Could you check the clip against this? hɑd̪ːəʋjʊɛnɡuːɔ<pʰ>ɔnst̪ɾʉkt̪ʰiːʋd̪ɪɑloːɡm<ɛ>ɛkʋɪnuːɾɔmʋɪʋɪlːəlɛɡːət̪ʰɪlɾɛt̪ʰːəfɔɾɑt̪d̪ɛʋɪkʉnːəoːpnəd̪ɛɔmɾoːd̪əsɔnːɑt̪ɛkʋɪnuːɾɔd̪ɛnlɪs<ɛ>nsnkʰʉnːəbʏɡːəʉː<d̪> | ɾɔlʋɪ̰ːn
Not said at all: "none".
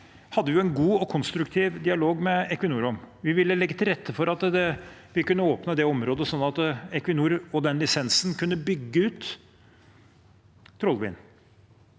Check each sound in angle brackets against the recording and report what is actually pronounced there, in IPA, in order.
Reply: kʰ, ɛ, ɛ, t̪

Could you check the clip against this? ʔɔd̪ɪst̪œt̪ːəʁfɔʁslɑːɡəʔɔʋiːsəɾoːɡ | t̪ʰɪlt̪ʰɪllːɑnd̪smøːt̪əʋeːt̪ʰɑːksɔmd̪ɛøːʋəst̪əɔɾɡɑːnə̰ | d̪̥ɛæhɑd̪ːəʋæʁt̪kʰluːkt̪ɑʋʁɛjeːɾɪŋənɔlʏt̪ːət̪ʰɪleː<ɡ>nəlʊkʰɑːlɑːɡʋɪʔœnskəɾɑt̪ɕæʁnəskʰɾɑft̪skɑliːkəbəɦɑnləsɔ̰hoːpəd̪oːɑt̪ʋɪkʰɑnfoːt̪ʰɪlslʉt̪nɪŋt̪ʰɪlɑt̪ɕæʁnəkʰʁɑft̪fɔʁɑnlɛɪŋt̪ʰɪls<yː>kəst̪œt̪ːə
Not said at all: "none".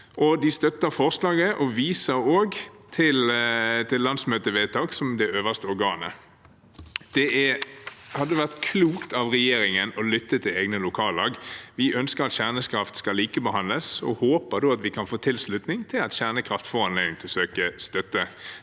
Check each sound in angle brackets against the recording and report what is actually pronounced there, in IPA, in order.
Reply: ɡ, øː

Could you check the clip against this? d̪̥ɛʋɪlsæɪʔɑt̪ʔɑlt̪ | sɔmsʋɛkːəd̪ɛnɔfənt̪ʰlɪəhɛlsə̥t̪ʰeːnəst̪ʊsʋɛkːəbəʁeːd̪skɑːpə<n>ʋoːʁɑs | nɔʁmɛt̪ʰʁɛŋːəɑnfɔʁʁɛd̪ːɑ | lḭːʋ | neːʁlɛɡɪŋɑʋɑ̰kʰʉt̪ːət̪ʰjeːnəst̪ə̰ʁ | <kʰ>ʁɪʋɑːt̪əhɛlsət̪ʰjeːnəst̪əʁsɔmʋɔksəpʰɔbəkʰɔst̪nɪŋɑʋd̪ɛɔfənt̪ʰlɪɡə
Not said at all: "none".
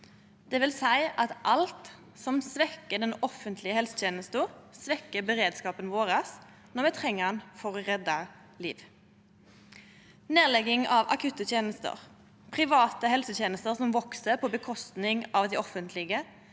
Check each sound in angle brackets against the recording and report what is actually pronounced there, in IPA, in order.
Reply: n, pʰ

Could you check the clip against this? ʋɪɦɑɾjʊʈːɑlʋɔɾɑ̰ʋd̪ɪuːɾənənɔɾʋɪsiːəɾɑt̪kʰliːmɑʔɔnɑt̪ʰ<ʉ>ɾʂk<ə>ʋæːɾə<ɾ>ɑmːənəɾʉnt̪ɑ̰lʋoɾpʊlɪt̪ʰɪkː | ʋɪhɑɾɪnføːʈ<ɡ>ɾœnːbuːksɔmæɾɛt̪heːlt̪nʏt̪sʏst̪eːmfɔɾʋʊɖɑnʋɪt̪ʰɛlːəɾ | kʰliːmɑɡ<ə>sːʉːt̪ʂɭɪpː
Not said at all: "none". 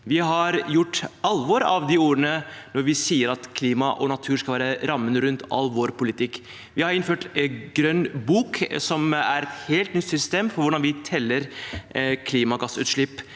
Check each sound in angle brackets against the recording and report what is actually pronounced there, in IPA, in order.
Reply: ʉː, ɑ, ɾ, ɡ, ɑ

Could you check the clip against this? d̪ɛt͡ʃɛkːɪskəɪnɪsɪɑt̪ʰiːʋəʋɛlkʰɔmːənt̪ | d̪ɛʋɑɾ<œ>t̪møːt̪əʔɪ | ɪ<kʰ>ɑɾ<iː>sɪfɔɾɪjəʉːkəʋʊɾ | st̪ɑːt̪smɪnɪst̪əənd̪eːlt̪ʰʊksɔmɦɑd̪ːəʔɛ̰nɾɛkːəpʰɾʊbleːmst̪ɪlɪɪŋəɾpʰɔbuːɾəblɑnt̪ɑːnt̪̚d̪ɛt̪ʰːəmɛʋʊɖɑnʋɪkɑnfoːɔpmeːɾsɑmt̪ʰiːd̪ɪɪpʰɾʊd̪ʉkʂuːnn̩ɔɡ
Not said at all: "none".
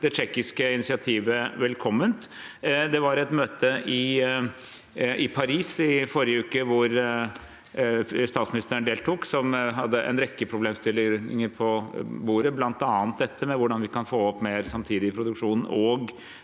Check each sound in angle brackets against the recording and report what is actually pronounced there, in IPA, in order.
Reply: ɛ, pʰ, iː

